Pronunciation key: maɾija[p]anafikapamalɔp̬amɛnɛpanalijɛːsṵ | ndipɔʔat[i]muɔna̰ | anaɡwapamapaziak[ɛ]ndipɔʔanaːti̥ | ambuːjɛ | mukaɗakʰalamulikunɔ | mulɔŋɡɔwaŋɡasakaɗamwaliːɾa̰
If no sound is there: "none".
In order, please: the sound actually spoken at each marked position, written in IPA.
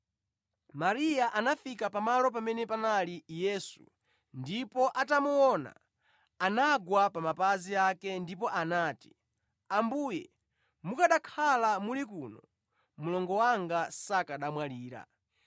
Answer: ʔ, a, ɛ

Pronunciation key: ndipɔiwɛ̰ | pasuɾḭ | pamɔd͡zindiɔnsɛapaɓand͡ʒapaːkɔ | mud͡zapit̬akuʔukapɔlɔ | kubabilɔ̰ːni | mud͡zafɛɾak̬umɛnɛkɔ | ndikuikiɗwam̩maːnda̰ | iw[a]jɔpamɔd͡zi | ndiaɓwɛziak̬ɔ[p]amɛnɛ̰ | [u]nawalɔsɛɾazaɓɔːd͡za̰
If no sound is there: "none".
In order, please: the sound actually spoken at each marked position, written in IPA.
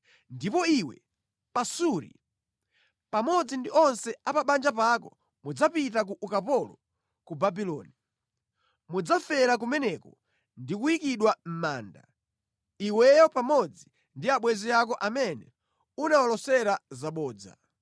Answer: ɛ, ʔ, u

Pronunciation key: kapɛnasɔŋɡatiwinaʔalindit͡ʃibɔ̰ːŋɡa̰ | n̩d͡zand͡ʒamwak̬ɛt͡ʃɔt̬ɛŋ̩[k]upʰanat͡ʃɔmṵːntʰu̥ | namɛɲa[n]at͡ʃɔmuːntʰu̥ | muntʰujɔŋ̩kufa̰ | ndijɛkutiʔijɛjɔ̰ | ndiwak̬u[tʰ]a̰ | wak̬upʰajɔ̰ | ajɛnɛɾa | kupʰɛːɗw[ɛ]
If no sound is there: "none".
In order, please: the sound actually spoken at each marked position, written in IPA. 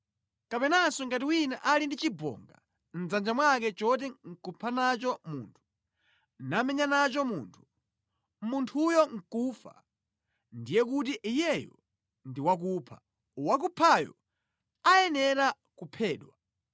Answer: k, n, pʰ, a

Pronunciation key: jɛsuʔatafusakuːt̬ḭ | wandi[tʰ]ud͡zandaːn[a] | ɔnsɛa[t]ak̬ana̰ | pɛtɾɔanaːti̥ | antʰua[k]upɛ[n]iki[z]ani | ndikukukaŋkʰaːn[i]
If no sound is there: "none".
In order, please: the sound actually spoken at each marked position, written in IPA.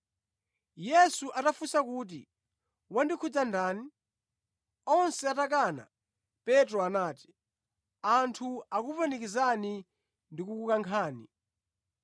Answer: kʰ, i, t, k, n, z, i

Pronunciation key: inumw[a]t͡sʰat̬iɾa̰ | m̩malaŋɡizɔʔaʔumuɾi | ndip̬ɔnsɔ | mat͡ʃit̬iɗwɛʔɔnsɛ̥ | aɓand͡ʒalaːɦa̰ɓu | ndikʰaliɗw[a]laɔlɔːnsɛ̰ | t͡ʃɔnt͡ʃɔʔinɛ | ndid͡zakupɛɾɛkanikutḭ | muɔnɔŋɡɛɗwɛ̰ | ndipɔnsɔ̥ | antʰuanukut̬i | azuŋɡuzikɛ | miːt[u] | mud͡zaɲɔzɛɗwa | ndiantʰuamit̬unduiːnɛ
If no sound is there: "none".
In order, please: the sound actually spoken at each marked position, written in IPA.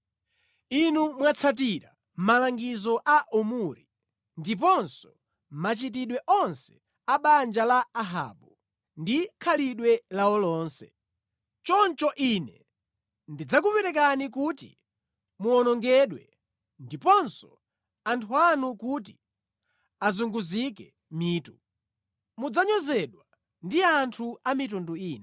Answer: a, ɛ, u

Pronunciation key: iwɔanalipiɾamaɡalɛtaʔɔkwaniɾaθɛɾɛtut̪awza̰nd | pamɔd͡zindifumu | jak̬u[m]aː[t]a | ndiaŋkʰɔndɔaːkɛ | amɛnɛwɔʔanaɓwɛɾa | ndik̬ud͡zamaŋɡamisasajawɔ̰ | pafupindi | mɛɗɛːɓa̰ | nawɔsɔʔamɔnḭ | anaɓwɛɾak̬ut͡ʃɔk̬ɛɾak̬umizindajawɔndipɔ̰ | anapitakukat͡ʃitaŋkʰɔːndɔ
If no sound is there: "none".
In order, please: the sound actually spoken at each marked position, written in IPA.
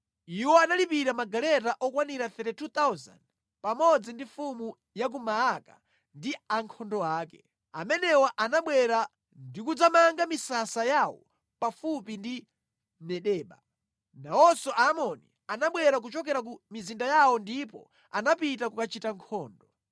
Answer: m, k

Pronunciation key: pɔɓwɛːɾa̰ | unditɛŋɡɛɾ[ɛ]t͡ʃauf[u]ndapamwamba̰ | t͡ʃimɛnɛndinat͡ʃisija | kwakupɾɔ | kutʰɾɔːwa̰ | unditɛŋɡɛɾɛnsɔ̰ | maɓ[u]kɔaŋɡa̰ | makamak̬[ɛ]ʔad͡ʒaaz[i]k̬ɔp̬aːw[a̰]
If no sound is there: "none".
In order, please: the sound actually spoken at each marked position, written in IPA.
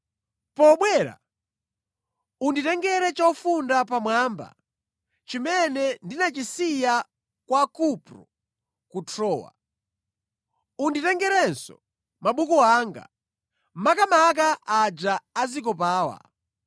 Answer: ɛ, u, u, a, i, a̰

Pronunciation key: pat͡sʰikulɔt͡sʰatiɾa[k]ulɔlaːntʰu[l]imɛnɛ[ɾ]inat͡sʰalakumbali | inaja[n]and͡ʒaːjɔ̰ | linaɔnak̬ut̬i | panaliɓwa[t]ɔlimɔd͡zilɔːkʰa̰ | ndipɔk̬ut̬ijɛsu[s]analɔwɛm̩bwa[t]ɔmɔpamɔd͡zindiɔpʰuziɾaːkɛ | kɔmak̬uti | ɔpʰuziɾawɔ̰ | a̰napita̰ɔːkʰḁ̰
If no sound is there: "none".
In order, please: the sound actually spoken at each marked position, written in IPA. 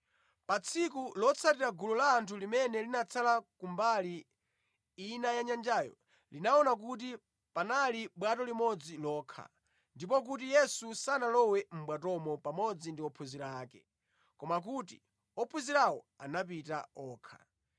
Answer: ɡ, l, l, ɲ, t, s, t

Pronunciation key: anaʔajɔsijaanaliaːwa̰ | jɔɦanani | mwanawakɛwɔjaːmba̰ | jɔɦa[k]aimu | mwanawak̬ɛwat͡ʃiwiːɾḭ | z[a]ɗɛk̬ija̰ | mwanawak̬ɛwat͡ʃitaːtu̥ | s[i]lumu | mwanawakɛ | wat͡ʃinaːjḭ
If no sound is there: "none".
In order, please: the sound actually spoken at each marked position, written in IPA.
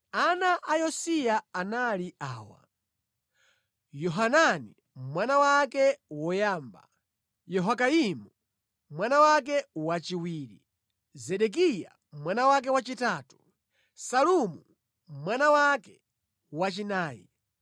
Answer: k, ɛ, a

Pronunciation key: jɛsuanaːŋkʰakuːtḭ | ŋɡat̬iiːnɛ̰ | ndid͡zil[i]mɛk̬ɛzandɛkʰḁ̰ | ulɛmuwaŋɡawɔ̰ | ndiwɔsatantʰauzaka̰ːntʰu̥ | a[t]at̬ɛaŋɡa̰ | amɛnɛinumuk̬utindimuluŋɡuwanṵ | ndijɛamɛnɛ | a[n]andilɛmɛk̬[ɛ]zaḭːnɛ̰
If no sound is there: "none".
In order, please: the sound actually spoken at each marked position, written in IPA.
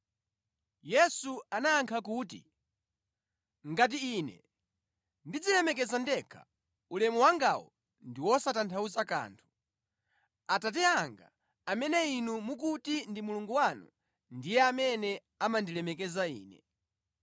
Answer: ɛ, t, m, ɛ

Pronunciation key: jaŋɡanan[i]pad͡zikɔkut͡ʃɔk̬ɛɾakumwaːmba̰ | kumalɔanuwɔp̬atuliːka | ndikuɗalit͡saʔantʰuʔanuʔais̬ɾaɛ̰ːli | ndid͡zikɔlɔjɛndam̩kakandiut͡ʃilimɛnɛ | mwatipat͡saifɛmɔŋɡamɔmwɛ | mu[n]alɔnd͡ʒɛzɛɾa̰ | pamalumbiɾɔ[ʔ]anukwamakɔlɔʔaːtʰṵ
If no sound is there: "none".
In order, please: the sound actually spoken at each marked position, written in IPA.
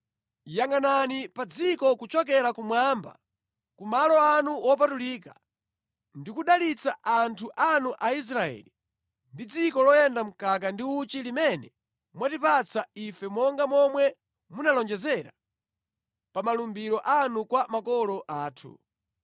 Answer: i, n, ʔ

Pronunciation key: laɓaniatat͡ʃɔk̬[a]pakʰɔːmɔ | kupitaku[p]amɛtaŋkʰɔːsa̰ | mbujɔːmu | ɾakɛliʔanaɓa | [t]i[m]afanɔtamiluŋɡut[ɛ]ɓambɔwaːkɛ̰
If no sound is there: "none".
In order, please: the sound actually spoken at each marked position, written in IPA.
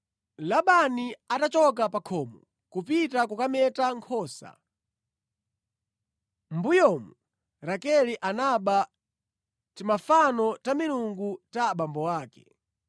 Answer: a, k, t, m, a

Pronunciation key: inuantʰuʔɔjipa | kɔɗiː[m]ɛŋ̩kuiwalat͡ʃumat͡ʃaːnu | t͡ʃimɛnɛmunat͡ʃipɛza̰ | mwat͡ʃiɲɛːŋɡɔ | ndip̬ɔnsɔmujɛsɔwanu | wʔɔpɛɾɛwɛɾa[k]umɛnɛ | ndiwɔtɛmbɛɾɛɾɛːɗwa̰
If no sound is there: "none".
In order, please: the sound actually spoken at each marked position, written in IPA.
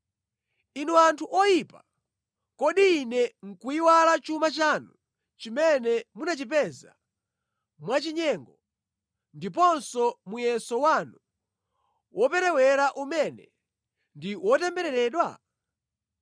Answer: n, ʔ

